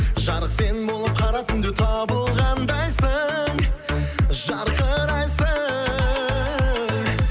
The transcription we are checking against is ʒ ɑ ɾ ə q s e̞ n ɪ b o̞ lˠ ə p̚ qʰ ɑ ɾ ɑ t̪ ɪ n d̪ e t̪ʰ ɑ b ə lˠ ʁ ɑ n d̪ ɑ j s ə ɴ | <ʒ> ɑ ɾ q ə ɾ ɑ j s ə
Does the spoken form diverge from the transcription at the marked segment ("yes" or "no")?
no